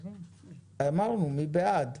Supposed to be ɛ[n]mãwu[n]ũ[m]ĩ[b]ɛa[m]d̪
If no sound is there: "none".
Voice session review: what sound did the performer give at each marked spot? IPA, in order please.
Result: none, n, m, b, none

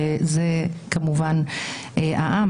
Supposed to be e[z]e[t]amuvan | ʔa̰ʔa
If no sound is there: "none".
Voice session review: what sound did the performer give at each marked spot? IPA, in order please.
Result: z, k

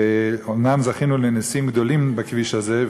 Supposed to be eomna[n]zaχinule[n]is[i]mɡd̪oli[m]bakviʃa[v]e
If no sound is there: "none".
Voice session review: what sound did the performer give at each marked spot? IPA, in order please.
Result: m, n, i, m, z

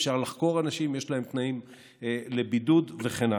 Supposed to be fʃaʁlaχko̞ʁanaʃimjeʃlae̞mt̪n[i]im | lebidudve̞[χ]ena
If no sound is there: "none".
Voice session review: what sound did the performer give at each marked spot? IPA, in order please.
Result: a, χ

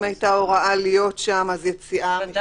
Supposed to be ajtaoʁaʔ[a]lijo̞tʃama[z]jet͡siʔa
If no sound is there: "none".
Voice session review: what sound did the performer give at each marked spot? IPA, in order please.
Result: a, z

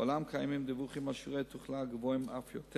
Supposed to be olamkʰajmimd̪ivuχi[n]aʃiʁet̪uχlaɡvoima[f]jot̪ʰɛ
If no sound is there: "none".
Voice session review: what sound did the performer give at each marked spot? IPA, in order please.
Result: m, f

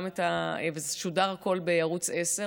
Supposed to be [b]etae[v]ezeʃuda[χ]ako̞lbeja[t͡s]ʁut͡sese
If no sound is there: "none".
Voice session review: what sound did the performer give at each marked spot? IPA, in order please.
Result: m, v, ʁ, none

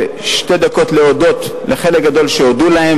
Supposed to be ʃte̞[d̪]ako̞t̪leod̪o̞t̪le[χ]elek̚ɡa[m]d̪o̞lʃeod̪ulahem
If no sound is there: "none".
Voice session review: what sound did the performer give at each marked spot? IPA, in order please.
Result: d̪, χ, none

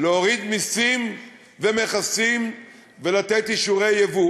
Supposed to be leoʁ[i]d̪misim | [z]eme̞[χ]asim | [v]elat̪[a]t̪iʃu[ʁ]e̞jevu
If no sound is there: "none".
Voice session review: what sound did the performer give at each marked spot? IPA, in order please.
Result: i, v, χ, v, e, ʁ

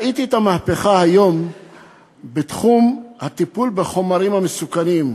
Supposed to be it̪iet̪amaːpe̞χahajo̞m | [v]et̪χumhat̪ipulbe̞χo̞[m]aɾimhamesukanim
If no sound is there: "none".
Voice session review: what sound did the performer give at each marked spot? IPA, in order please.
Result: b, m

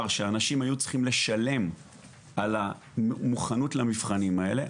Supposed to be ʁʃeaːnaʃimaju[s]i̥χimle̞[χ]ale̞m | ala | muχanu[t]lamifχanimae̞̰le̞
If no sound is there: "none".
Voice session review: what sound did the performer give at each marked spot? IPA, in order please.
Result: t͡s, ʃ, t

